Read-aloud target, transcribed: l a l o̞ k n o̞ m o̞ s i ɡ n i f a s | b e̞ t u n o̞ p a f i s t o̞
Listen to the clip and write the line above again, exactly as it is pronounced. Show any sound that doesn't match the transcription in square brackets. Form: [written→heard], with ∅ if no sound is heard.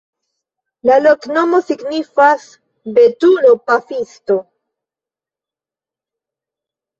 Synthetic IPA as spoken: l a l o̞ k n o̞ m o̞ s i ɡ n i f a s | b e̞ t u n o̞ p a f i s t o̞